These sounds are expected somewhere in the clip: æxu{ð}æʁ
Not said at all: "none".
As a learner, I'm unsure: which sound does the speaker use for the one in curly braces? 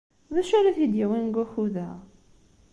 ð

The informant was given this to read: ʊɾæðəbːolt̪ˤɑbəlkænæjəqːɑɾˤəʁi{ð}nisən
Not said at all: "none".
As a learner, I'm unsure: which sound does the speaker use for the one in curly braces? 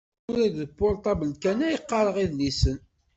ð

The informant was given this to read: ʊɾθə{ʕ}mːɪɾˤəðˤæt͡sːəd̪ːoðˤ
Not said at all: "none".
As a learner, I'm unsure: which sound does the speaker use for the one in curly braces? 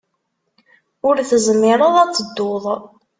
z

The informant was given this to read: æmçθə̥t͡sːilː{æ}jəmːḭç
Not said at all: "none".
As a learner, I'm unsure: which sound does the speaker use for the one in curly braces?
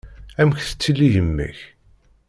i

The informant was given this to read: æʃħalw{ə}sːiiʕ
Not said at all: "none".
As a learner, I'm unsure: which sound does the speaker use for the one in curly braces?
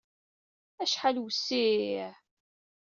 ə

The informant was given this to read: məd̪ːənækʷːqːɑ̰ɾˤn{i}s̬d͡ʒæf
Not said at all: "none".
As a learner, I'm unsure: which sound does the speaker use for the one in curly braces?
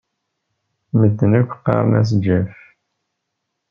æ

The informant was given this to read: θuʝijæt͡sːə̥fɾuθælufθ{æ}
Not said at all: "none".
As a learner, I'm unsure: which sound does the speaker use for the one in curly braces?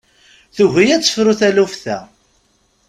æ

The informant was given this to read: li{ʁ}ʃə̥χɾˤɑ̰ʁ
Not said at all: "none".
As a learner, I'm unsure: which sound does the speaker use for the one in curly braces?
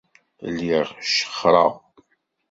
ʁ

